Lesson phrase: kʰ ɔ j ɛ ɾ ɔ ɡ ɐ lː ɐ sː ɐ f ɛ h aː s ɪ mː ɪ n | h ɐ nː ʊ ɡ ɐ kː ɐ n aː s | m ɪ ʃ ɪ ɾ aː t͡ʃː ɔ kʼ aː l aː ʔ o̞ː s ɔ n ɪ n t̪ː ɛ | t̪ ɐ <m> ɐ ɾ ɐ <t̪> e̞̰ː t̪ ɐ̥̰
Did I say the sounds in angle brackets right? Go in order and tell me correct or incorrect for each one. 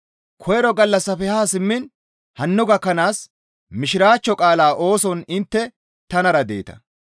incorrect, incorrect

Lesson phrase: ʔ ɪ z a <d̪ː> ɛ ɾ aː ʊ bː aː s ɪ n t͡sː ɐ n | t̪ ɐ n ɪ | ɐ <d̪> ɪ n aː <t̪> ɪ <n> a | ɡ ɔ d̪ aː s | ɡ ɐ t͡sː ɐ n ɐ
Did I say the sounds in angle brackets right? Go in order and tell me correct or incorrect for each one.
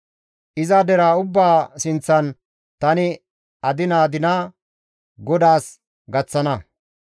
incorrect, correct, incorrect, correct

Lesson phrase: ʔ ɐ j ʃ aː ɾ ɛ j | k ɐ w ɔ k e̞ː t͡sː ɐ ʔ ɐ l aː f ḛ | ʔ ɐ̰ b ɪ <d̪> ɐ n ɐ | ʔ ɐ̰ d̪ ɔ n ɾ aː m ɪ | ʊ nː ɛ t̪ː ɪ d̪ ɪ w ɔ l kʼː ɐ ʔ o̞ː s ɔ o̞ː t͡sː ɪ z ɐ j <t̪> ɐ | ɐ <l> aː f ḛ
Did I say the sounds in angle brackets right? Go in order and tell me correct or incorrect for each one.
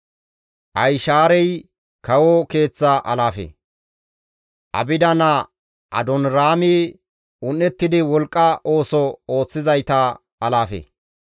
correct, correct, correct

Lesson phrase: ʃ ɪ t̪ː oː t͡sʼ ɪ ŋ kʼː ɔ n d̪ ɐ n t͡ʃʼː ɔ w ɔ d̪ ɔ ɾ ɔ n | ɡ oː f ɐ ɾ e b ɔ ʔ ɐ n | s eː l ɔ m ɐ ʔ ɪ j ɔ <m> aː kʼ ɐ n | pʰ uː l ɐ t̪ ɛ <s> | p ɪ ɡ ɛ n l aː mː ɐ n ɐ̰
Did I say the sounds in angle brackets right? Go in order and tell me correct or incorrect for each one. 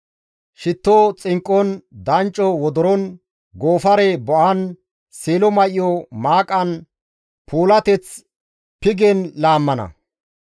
correct, incorrect

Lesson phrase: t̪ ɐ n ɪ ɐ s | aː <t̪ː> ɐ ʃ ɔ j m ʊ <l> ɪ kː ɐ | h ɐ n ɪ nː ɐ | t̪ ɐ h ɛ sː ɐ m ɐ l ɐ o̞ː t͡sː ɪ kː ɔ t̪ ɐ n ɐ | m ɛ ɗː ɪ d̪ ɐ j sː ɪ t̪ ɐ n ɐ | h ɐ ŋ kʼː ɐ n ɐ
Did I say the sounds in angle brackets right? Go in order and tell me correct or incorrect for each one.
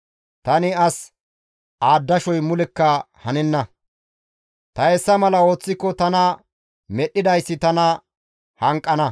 incorrect, correct

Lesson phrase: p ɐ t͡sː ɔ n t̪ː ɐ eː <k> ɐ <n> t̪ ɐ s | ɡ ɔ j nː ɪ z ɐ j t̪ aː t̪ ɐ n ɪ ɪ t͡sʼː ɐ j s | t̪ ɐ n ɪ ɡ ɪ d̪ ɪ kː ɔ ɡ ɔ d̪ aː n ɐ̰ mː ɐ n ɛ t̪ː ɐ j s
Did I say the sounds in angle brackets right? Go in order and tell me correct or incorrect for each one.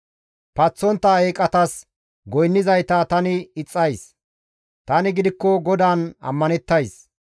incorrect, incorrect

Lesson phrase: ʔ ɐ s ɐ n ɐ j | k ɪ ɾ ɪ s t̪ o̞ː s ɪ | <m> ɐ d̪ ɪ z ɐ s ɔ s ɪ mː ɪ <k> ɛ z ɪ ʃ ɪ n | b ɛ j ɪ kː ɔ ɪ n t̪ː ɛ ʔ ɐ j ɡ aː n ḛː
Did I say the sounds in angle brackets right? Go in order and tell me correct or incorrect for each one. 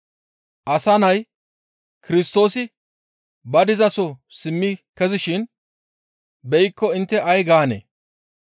incorrect, correct

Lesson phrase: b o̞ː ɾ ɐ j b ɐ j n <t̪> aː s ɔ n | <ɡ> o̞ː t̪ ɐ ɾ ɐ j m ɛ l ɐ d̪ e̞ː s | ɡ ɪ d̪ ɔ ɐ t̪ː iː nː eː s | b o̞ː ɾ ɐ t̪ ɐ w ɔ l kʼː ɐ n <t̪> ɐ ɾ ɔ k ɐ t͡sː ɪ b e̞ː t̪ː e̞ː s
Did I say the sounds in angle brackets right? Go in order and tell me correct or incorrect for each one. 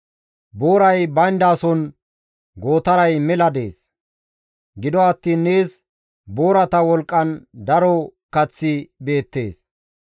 incorrect, correct, incorrect

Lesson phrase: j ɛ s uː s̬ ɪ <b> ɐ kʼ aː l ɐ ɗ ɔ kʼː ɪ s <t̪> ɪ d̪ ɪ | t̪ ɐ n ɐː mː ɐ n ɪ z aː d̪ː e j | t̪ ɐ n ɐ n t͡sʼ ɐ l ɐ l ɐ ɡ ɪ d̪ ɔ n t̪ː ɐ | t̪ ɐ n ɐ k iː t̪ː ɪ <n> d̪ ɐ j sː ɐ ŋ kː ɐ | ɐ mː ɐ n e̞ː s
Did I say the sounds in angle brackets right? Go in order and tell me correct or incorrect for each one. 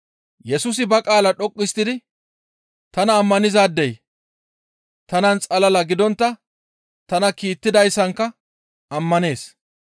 correct, correct, incorrect

